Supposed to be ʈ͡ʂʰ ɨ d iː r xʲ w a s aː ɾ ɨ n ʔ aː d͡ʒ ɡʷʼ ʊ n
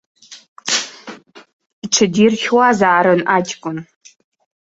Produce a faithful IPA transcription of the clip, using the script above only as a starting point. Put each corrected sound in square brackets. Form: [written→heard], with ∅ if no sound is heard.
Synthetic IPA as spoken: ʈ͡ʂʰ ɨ d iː r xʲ w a [s→z] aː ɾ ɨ n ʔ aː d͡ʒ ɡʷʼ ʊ n